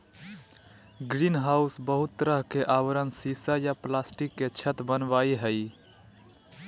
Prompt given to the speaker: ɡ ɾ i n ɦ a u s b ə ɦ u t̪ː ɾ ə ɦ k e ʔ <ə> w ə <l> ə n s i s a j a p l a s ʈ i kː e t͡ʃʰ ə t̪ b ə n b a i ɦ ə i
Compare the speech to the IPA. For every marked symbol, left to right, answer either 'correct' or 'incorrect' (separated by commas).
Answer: incorrect, incorrect